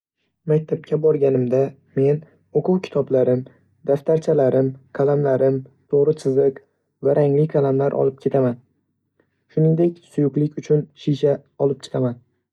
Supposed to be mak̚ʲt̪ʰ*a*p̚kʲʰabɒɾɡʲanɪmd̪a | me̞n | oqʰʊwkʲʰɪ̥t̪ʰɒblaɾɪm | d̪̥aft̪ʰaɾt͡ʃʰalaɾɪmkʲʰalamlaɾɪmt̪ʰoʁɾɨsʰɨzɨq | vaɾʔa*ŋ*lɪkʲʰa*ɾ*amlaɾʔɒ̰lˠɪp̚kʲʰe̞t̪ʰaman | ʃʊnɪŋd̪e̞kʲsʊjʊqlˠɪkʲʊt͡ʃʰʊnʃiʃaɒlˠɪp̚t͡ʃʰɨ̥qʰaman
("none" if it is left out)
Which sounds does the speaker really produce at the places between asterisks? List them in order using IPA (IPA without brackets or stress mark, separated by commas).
a, ŋ, l